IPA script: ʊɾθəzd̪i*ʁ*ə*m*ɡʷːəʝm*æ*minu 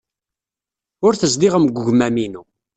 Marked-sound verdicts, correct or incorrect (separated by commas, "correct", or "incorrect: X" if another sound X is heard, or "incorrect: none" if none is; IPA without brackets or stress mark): correct, correct, correct